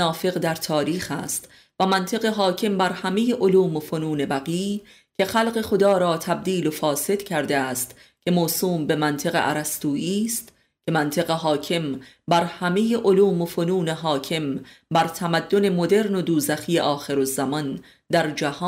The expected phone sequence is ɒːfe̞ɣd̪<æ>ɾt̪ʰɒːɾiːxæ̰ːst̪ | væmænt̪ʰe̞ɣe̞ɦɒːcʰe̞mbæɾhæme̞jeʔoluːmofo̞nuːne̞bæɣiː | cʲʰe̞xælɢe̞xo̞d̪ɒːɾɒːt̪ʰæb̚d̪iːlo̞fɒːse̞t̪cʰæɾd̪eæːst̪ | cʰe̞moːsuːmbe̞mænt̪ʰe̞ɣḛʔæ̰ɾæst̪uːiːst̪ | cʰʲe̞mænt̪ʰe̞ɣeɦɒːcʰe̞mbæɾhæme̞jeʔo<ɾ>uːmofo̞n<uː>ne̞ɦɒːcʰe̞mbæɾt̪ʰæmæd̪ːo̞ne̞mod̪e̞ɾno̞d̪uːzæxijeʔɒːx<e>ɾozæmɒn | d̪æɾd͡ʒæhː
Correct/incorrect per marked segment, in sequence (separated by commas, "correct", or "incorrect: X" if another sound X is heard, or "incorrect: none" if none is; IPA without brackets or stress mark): correct, incorrect: l, correct, correct